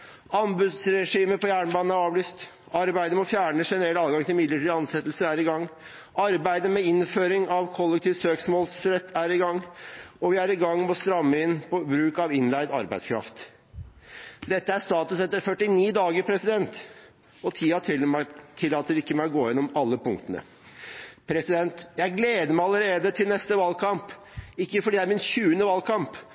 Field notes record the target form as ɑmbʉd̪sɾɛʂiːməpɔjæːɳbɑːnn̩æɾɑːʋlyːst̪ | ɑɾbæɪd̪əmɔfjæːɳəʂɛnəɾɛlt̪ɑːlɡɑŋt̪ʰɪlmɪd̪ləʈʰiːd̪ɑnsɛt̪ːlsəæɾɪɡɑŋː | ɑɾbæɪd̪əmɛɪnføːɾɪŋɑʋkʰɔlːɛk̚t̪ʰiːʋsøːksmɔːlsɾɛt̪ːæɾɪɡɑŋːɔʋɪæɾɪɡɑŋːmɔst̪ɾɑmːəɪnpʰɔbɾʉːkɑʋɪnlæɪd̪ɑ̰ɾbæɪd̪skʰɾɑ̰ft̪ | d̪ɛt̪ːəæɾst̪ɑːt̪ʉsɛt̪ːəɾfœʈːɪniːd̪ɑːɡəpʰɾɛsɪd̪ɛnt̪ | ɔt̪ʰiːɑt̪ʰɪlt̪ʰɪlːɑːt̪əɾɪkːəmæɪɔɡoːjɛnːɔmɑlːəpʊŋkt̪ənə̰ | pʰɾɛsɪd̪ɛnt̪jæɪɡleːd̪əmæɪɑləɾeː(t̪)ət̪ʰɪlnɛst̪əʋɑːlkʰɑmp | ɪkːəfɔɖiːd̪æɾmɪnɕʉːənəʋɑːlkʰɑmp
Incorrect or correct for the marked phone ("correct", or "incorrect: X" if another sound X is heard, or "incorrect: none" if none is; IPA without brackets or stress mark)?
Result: incorrect: d̪